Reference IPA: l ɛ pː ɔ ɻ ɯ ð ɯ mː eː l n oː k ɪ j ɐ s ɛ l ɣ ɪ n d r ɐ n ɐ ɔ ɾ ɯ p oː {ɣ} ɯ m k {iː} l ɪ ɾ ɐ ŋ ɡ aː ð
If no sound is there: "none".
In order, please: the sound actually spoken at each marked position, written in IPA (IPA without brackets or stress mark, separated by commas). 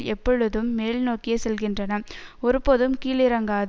ð, iː